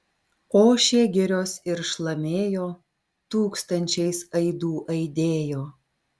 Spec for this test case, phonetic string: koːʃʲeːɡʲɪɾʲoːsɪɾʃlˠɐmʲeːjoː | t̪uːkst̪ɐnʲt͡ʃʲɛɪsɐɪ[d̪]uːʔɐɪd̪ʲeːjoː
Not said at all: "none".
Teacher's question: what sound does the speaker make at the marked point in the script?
d̪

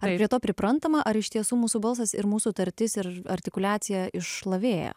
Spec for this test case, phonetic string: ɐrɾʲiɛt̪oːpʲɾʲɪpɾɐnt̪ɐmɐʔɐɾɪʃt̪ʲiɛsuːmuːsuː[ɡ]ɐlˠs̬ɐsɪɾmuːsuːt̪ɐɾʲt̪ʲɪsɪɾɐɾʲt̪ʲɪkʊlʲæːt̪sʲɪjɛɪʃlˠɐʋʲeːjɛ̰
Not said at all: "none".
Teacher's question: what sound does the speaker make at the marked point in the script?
b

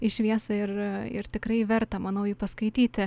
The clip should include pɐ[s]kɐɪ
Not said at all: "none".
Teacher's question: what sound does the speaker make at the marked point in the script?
s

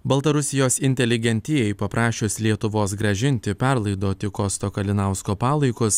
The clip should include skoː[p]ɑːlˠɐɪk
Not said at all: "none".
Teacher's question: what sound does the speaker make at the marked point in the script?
p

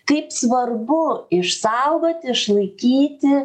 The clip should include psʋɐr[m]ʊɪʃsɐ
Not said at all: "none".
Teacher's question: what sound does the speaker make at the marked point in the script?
b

